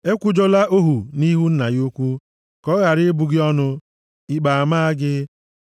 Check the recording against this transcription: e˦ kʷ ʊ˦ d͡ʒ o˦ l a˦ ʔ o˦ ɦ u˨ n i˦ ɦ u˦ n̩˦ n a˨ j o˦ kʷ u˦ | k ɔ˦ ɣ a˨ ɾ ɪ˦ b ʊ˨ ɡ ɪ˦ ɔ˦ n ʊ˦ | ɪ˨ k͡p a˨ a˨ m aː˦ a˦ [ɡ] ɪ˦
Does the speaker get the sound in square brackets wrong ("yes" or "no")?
no